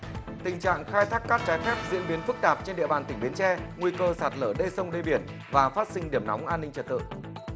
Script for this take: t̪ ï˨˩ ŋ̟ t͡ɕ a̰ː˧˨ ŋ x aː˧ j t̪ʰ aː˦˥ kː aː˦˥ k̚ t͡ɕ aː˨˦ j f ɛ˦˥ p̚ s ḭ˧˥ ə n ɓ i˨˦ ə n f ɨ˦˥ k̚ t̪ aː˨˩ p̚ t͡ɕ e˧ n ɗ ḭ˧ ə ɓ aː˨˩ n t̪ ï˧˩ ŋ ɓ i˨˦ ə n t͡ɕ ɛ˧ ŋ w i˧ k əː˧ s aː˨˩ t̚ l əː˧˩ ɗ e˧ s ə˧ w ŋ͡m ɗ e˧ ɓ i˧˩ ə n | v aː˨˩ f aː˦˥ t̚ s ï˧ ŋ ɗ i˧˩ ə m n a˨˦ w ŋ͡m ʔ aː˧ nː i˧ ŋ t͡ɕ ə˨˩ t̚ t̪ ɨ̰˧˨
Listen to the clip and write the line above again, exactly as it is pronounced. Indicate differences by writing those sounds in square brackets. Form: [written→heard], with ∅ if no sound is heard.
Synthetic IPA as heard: t̪ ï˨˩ ŋ̟ t͡ɕ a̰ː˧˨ ŋ x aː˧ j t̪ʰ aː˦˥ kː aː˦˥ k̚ t͡ɕ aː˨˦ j f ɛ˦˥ p̚ [s→z] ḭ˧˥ ə n ɓ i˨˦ ə n f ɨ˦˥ k̚ t̪ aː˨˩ p̚ t͡ɕ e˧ n ɗ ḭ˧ ə ɓ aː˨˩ n t̪ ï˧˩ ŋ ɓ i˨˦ ə n t͡ɕ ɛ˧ ŋ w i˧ k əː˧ s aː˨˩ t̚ l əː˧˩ ɗ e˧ s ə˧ w ŋ͡m ɗ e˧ ɓ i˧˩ ə n | v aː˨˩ f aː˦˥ t̚ s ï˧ ŋ ɗ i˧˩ ə m n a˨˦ w ŋ͡m ʔ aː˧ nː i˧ ŋ t͡ɕ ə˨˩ t̚ t̪ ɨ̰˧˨